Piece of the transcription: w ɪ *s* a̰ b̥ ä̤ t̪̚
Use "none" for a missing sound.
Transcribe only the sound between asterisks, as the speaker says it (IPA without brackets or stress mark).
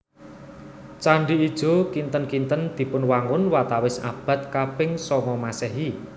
s